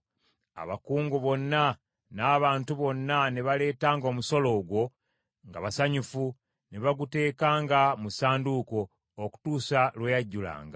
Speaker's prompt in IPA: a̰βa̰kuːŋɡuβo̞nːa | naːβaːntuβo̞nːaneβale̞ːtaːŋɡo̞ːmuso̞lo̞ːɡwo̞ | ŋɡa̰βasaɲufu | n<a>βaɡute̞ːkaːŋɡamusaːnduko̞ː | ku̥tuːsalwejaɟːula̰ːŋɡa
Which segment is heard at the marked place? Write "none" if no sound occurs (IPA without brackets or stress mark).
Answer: e